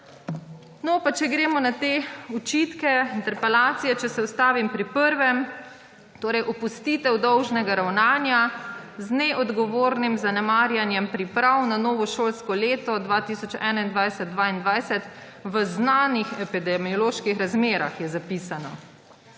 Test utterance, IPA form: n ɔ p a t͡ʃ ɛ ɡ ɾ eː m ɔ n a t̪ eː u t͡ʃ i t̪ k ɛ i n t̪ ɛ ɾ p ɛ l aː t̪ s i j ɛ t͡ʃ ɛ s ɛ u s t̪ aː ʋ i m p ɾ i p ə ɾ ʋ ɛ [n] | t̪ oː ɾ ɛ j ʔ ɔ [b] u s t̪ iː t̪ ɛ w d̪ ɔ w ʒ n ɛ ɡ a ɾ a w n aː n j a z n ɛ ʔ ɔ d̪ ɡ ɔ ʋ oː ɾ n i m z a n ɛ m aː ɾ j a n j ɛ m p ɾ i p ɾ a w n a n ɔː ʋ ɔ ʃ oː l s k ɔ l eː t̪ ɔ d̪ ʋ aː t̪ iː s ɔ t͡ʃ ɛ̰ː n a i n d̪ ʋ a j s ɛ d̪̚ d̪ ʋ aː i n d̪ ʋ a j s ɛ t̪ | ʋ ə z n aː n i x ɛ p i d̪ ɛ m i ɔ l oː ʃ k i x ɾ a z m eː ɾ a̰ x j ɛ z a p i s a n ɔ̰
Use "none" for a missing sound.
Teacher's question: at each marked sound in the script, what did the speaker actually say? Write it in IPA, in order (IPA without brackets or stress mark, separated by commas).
m, p